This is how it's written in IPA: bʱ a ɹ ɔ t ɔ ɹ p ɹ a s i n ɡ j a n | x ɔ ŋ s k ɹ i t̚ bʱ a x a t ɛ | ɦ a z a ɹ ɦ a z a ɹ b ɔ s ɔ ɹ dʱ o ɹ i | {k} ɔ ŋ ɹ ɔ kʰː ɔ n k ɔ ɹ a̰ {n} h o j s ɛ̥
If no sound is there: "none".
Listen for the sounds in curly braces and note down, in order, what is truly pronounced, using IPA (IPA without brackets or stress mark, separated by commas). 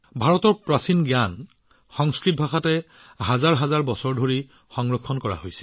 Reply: x, none